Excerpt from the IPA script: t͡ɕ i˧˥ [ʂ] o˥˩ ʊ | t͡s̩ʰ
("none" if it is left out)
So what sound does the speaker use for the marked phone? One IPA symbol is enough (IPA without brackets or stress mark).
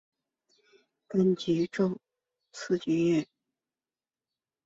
ʈ͡ʂ